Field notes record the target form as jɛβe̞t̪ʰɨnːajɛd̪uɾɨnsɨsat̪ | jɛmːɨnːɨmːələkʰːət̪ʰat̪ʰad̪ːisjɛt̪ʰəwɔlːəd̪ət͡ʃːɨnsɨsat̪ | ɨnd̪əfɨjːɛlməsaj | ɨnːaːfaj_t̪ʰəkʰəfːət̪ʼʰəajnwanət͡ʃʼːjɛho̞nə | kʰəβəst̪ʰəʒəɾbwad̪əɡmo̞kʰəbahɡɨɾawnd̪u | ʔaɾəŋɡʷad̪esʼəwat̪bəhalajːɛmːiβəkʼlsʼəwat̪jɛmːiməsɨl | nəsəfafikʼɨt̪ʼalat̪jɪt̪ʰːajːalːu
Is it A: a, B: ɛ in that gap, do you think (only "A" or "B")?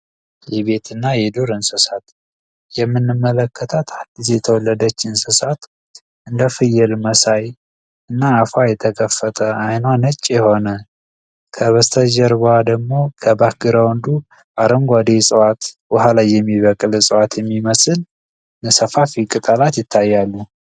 B